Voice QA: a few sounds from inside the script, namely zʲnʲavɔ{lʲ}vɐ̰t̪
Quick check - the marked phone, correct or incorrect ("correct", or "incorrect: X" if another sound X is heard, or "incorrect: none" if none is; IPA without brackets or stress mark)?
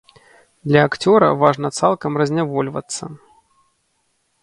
correct